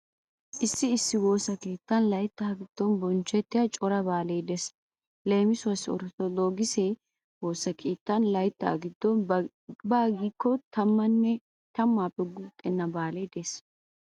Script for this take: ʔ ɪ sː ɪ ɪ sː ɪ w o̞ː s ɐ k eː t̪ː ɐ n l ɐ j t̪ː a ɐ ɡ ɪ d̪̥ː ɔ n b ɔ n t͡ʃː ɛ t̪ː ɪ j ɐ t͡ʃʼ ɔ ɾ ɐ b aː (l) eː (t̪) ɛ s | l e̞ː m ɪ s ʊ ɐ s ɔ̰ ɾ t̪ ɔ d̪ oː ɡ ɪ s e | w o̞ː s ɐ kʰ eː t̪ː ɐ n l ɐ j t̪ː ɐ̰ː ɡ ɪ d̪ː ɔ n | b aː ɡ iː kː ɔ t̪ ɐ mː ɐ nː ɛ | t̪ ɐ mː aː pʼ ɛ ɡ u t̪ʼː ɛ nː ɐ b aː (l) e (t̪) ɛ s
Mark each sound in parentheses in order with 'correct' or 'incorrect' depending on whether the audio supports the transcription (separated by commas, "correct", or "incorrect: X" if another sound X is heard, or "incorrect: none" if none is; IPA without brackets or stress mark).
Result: correct, incorrect: d̪, correct, incorrect: d̪